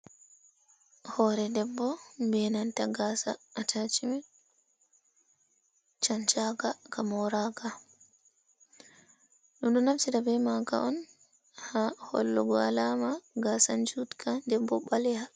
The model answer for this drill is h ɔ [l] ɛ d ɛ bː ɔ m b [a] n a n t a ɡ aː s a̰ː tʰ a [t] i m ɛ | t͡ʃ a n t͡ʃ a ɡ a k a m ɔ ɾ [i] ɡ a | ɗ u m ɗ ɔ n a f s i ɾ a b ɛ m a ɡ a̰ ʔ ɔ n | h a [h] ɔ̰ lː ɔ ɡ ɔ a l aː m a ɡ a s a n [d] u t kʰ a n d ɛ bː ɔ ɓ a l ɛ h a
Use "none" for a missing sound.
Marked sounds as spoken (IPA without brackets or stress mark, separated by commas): ɾ, ɛ, t͡ʃ, a, h, d͡ʒ